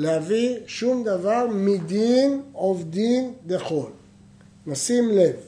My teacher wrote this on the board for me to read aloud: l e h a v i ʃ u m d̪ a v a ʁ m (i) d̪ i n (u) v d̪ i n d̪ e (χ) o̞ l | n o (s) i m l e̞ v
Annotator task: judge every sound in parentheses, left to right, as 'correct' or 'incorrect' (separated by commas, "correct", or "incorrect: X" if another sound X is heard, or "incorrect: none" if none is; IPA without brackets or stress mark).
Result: correct, incorrect: o, correct, correct